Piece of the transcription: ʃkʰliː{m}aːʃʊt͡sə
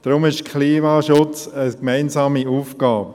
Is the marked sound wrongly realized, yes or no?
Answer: no